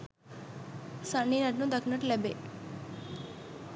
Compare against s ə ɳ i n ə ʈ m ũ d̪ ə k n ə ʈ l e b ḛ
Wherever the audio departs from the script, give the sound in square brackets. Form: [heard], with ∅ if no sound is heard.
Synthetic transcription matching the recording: s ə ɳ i n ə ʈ [n] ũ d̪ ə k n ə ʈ l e b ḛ